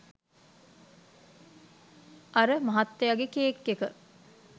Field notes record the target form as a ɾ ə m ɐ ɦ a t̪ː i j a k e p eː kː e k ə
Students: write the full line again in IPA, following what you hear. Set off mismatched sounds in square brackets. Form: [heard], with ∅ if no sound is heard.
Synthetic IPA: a ɾ ə m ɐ ɦ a t̪ː [e] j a [ɡ] e [k] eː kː e k ə